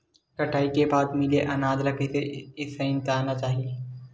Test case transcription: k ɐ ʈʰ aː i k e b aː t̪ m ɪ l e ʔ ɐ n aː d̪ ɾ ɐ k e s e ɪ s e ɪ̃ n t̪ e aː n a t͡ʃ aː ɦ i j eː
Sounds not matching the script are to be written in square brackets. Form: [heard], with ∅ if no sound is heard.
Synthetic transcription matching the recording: k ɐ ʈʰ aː i k e b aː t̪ m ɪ l e ʔ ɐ n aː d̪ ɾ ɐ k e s e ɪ s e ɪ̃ n t̪ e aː n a t͡ʃ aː ɦ i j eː